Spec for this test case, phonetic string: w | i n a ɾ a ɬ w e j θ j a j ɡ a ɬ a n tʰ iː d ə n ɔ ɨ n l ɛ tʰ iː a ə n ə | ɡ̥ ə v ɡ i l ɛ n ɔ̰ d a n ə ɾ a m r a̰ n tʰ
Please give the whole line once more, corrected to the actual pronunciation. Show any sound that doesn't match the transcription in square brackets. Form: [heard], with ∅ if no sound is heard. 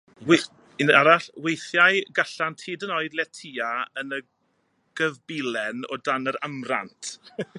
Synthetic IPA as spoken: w | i n a ɾ a ɬ w e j θ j a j ɡ a ɬ a n tʰ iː d ə n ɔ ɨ [d] l ɛ tʰ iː a ə n ə | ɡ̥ ə v [b] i l ɛ n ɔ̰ d a n ə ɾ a m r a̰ n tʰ